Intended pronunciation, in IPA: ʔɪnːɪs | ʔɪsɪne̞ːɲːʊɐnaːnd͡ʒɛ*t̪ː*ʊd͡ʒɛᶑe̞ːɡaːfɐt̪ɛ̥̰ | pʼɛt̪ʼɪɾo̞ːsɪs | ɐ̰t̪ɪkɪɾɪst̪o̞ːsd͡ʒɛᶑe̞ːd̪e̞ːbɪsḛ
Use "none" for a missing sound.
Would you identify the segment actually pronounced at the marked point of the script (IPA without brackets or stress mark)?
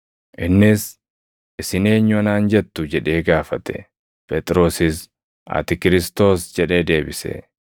t̪ː